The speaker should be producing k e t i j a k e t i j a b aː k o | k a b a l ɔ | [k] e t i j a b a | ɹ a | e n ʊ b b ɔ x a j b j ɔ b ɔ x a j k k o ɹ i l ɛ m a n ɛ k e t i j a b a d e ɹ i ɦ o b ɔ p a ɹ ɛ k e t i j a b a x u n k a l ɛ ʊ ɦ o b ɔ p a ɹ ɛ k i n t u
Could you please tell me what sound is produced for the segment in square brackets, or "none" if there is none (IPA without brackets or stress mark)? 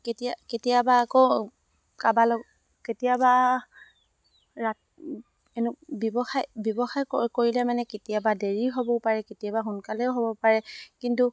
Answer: k